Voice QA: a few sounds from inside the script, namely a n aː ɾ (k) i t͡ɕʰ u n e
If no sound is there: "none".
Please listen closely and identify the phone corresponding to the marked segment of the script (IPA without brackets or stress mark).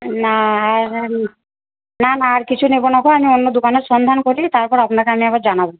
k